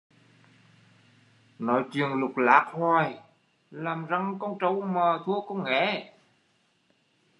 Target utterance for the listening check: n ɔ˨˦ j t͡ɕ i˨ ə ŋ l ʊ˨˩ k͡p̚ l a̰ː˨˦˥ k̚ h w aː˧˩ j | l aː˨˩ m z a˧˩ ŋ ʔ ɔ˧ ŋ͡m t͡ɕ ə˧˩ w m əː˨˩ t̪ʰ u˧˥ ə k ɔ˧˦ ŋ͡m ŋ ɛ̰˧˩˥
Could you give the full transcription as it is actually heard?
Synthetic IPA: n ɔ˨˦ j t͡ɕ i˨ ə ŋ l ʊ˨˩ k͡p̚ l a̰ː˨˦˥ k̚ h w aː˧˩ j | l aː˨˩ m z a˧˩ ŋ k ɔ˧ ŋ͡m t͡ɕ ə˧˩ w m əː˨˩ t̪ʰ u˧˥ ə k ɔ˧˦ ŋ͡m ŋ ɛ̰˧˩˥